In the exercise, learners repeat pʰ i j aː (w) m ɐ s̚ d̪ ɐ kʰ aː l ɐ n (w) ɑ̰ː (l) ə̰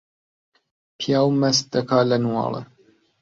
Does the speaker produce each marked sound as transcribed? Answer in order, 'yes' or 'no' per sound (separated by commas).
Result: yes, yes, yes